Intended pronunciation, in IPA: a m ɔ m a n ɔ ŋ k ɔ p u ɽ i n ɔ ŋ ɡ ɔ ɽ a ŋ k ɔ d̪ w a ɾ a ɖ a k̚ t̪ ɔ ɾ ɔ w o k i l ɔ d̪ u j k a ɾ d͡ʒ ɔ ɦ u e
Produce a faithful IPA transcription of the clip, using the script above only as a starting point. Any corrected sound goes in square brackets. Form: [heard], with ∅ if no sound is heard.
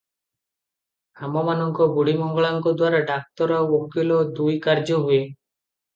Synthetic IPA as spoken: a m ɔ m a n ɔ ŋ k ɔ [b] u ɽ i [m] ɔ ŋ ɡ ɔ [ɭ] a ŋ k ɔ d̪ w a ɾ a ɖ a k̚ t̪ ɔ ɾ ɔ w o k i l ɔ d̪ u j k a ɾ d͡ʒ ɔ ɦ u e